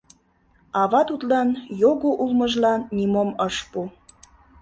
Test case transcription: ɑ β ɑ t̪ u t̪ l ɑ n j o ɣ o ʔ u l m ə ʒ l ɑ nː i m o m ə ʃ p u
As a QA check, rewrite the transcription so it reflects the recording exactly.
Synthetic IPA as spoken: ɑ β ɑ t̪ u t̪ l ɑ n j o ɣ o ʔ u l m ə ʒ l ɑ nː i m o m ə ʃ p u